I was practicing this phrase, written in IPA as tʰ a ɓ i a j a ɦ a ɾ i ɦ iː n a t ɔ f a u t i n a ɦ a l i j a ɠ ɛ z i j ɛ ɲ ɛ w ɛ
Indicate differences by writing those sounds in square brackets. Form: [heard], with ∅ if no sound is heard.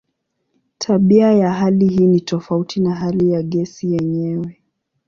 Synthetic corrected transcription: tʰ a ɓ i a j a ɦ a [l] i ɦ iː n [i] t ɔ f a u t i n a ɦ a l i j a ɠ ɛ [s] i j ɛ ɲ ɛ w ɛ